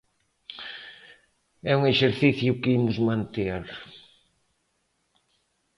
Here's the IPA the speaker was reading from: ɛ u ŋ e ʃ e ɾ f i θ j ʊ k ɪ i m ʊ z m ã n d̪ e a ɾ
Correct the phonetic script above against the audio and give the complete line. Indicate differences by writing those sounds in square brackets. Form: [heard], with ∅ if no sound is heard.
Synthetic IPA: ɛ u ŋ e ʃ e ɾ [θ] i θ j ʊ k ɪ i m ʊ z m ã n [t̪] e a ɾ